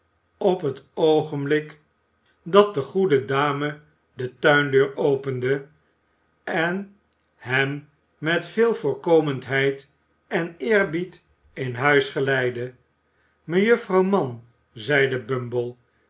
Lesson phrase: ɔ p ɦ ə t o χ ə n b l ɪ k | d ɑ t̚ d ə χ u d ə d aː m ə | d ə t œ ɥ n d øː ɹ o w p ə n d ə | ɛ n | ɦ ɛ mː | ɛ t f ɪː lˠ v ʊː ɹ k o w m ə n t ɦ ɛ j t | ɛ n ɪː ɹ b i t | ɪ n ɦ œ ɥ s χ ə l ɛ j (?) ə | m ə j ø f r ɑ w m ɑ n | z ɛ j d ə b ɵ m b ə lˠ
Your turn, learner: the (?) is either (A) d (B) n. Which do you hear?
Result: A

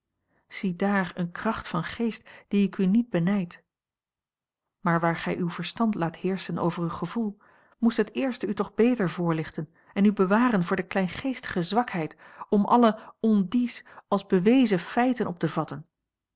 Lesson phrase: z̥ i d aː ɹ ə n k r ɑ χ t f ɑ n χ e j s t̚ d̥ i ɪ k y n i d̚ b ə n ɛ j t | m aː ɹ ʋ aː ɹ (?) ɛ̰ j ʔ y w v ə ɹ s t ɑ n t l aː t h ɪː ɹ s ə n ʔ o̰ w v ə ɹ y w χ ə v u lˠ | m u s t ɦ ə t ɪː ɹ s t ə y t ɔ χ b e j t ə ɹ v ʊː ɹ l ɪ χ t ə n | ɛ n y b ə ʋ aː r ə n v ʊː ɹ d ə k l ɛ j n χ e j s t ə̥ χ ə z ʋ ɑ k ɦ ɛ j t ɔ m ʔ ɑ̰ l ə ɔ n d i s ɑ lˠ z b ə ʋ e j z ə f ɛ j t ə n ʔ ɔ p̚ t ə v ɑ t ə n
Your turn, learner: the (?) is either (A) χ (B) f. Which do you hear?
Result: A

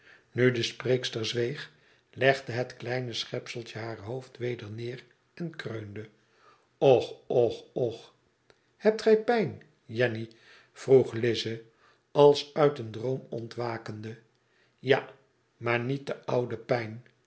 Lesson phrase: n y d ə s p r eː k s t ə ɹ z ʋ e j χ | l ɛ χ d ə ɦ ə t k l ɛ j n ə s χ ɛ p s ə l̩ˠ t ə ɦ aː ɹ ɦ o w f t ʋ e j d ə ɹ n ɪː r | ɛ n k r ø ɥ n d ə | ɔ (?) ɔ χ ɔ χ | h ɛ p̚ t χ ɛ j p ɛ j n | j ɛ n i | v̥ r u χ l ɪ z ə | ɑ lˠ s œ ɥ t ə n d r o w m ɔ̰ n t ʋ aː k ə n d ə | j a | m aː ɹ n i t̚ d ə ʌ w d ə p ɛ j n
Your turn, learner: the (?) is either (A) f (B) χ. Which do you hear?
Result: B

